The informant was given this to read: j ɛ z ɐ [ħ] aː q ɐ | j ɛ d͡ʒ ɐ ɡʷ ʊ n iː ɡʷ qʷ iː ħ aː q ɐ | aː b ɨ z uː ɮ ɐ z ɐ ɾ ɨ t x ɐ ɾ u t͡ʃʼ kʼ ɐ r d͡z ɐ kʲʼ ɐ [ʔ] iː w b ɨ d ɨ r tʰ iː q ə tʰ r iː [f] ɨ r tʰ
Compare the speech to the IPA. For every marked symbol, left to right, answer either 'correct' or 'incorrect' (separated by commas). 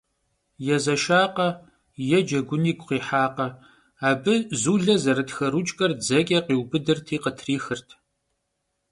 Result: incorrect, incorrect, incorrect